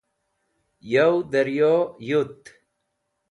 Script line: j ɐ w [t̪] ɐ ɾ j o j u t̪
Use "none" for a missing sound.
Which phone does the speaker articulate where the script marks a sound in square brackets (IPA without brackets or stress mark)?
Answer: d̪